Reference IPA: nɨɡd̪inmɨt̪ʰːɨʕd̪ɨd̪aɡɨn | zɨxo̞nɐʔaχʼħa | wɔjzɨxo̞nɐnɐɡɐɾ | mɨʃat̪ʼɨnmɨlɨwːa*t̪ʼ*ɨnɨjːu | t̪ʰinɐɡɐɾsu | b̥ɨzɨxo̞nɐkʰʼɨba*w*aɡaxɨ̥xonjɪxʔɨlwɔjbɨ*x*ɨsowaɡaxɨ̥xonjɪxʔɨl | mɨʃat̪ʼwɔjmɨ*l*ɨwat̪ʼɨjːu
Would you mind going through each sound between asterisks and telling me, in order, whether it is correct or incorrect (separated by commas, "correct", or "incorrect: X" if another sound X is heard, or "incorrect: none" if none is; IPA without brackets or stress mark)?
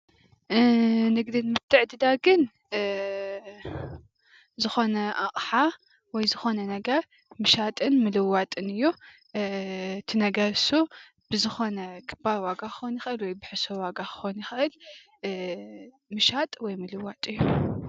correct, correct, incorrect: ħ, correct